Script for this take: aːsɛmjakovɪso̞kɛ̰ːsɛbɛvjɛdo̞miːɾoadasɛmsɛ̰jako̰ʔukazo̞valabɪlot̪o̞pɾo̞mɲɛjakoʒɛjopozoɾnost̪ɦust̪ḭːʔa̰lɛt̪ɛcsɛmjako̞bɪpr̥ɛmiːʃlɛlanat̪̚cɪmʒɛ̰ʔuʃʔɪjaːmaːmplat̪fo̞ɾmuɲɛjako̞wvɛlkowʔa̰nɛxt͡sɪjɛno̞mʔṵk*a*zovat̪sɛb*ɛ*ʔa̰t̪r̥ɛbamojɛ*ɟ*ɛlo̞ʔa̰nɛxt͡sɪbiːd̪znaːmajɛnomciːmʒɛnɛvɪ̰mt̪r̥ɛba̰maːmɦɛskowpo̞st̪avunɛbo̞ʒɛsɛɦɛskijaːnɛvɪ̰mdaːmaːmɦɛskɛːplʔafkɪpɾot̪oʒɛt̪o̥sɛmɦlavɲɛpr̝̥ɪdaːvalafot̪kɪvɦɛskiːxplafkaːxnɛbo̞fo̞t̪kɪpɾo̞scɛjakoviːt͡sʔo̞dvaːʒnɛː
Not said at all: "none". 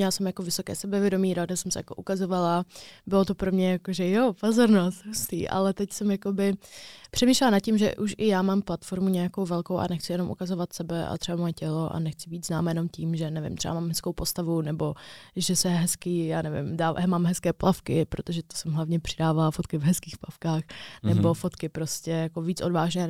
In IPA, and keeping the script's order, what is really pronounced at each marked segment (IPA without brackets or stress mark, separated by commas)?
a, ɛ, c